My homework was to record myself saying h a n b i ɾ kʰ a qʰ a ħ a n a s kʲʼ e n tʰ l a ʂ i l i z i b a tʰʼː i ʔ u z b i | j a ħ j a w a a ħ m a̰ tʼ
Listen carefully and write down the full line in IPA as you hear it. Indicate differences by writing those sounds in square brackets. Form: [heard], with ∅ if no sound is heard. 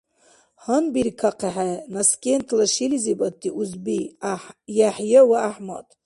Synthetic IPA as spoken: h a n b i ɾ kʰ a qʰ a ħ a n a s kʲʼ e n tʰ l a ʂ i l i z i b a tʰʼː i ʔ u z b i | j a ħ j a w a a ħ m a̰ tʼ